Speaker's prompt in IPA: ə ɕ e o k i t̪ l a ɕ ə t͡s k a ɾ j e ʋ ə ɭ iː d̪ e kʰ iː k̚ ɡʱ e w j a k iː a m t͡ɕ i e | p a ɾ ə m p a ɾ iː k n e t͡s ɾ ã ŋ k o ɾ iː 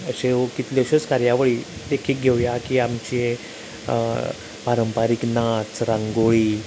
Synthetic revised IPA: ə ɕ e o k i t̪ l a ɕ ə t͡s k a ɾ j a ʋ ə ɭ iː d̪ e kʰ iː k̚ ɡʱ e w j a k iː a m t͡ɕ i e | p a ɾ ə m p a ɾ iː k n a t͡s ɾ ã ŋ ɡ o ɭ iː

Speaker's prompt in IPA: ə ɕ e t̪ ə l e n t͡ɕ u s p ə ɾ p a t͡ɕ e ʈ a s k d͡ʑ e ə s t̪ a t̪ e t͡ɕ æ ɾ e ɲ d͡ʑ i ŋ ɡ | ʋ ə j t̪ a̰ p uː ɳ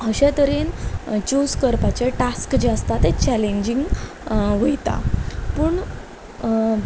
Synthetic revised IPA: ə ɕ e t̪ ə ɾ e n t͡ɕ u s k ə ɾ p a t͡ɕ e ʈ a s k d͡ʑ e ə s t̪ a t̪ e t͡ɕ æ l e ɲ d͡ʑ i ŋ ɡ | ʋ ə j t̪ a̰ p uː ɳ

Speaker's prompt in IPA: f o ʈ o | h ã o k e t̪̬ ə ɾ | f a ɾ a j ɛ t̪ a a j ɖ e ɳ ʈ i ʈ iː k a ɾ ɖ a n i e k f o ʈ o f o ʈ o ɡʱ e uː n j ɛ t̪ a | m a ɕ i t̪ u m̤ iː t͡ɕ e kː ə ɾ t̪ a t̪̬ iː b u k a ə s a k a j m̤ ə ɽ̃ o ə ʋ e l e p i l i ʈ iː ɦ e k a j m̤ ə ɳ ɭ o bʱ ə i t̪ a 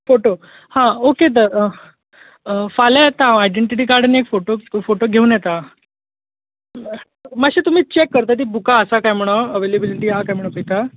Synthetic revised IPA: f o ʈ o | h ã o k e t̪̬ ə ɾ | f a l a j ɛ t̪ a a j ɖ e ɳ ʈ i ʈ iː k a ɾ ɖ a n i e k f o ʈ o f o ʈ o ɡʱ e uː n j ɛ t̪ a | m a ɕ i t̪ u m̤ iː t͡ɕ e kː ə ɾ t̪ a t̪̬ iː b u k a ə s a k a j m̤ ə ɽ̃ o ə ʋ e l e b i l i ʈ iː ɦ a k a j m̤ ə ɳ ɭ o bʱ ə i t̪ a

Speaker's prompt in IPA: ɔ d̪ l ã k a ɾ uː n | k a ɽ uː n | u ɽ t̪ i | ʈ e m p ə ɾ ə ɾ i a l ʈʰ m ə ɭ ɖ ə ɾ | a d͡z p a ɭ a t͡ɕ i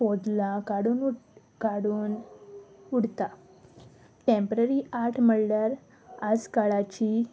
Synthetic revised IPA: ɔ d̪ l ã k a ɽ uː n | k a ɽ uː n | u ɽ t̪ a | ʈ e m p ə ɾ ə ɾ i a ɾ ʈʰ m ə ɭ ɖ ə ɾ | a d͡z k a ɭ a t͡ɕ i

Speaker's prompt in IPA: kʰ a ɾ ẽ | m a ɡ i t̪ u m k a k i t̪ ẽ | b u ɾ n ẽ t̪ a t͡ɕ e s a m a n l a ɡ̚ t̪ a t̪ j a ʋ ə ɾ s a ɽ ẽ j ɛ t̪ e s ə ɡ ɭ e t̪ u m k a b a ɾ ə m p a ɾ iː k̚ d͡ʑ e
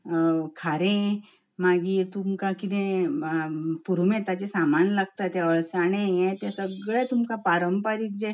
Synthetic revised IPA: kʰ a ɾ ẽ | m a ɡ i t̪ u m k a k i t̪ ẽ | p u ɾ m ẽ t̪ a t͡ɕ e s a m a n l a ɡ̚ t̪ a t̪ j a ʋ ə ɭ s a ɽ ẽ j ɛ t̪ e s ə ɡ ɭ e t̪ u m k a p a ɾ ə m p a ɾ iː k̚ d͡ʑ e

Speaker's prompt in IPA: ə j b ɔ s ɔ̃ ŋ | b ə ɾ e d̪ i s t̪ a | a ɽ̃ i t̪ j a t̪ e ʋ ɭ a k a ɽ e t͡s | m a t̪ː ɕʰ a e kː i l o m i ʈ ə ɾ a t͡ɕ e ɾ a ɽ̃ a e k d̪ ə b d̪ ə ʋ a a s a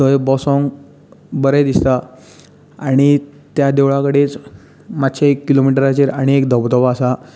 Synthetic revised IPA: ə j b ɔ s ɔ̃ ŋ | b ə ɾ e d̪ i s t̪ a | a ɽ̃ i t̪ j a d̪ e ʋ ɭ a k ə ɽ e t͡s | m a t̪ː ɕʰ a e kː i l o m i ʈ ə ɾ a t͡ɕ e ɾ a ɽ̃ i e k d̪ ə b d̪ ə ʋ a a s a

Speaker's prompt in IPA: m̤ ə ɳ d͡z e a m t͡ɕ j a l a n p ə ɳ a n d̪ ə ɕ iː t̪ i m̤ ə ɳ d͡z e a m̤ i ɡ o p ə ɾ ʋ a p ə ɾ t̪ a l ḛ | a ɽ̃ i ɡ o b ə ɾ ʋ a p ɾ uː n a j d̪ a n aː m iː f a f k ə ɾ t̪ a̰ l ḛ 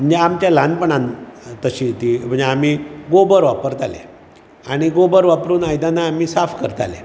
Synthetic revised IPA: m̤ ə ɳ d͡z e a m t͡ɕ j a l a n p ə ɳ a n t̪ ə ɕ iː t̪ i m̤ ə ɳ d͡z e a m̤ i ɡ o b ə ɾ ʋ a p ə ɾ t̪ a l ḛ | a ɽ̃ i ɡ o b ə ɾ ʋ a p ɾ uː n a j d̪ a n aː m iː s a f k ə ɾ t̪ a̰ l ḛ

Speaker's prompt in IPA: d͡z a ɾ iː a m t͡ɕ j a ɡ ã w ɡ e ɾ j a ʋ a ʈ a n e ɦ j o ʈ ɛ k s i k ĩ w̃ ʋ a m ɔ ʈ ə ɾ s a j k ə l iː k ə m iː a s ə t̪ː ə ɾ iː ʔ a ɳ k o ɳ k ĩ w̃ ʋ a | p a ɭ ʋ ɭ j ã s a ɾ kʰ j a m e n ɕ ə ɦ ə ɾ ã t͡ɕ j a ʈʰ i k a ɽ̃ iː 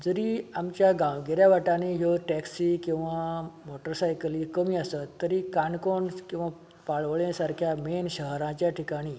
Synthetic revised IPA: d͡z ə ɾ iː a m t͡ɕ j a ɡ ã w ɡ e ɾ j a ʋ a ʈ a n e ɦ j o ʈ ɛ k s i k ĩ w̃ ʋ a m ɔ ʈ ə ɾ s a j k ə l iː k ə m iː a s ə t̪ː ə ɾ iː k a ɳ k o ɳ k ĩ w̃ ʋ a | p a ɭ ʋ ɭ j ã s a ɾ kʰ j a m e n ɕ ə ɦ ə ɾ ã t͡ɕ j a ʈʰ i k a ɽ̃ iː

